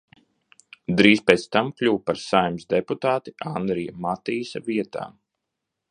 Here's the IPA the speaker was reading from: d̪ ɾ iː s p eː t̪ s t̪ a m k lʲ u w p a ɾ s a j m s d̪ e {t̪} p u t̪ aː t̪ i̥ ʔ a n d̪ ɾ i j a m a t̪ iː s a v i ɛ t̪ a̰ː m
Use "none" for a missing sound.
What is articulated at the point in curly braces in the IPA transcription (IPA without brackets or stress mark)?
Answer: none